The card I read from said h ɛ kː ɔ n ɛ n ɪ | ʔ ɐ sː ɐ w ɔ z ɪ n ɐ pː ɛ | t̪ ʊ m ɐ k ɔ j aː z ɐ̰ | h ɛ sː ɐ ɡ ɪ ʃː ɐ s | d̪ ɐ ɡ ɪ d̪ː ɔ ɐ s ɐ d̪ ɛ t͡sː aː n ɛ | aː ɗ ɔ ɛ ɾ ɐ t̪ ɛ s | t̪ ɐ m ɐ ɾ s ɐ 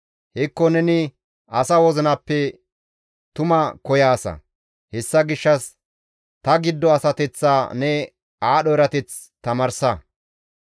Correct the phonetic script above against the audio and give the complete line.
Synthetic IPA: h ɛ kː ɔ n ɛ n ɪ | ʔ ɐ s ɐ w ɔ z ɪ n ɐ pː ɛ | t̪ ʊ m ɐ k ɔ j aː s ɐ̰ | h ɛ sː ɐ ɡ ɪ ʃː ɐ s | t̪ ɐ ɡ ɪ d̪ː ɔ ɐ s ɐ t̪ ɛ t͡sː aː n ɛ | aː ɗ ɔ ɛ ɾ ɐ t̪ ɛ t͡s | t̪ ɐ m ɐ ɾ s ɐ